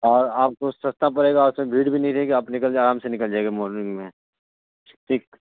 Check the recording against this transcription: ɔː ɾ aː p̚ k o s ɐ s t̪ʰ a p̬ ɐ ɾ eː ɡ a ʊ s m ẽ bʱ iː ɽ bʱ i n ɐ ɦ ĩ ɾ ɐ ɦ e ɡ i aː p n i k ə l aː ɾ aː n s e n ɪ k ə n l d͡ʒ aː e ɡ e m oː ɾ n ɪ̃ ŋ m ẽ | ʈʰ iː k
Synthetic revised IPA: ɔː ɾ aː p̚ k o s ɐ s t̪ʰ a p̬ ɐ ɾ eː ɡ a ʊ s m ẽ bʱ iː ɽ bʱ i n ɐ ɦ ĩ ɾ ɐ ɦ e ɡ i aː p n ɪ k ə l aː ɾ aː m s e n ɪ k ə l d͡ʒ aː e ɡ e m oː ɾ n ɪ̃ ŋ m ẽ | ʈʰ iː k